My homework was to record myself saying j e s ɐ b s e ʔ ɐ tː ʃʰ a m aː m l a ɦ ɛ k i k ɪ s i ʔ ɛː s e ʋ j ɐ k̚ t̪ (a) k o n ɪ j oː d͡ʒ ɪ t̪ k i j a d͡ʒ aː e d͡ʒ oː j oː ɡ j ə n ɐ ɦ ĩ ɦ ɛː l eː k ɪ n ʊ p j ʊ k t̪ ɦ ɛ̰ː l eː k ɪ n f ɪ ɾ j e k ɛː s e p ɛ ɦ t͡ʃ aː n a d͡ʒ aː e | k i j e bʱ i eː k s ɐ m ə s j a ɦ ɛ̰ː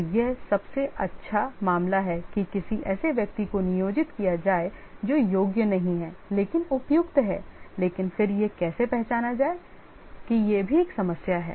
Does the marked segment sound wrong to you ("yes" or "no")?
yes